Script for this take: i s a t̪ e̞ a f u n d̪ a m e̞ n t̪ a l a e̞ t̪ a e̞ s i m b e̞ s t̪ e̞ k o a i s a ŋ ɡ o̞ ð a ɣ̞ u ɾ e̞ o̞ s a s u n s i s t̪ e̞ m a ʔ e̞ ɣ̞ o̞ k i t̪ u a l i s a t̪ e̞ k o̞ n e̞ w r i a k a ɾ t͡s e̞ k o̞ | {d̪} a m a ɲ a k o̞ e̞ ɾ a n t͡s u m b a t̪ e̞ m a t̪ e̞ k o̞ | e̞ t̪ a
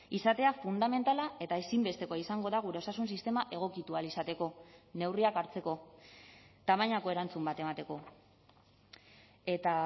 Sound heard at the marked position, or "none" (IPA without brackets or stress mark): t̪